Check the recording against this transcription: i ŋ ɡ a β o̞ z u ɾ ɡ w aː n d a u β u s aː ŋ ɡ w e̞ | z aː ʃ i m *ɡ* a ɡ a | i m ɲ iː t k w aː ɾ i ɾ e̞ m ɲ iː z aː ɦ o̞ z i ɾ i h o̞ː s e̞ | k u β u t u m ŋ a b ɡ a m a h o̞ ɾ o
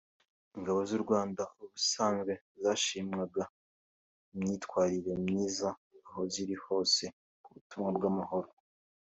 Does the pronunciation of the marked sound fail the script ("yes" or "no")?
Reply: yes